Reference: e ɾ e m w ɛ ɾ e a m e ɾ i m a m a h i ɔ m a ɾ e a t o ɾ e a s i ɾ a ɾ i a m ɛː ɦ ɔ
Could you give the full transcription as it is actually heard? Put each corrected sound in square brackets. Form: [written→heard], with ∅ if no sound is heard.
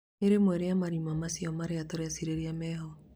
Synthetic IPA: e ɾ e m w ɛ ɾ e a m [e→a] ɾ i m a m a [h→s] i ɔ m a ɾ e a t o ɾ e a s i ɾ [a→e] ɾ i a m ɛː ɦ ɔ